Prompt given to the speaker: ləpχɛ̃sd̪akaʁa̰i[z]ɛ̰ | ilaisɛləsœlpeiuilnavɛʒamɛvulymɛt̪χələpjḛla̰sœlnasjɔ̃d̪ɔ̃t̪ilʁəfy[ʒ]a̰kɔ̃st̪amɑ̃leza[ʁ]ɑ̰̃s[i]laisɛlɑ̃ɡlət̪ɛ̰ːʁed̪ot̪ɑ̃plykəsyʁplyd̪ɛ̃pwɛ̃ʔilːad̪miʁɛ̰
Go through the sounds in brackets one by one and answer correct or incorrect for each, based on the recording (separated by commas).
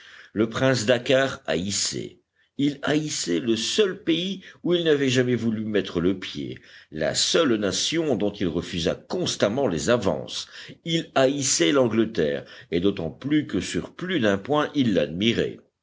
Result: incorrect, incorrect, incorrect, correct